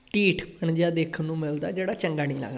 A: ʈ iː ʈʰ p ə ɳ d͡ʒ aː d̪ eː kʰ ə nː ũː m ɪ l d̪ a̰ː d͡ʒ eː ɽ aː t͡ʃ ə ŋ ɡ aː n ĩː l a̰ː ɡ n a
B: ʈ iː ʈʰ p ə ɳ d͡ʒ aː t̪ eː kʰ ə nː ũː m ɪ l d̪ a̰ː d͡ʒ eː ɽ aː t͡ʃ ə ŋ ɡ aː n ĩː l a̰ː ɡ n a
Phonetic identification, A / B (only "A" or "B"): A